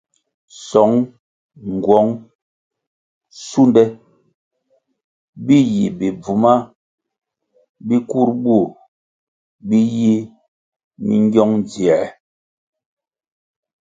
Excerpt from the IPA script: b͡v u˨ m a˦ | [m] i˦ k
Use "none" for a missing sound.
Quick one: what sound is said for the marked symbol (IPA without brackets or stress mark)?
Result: b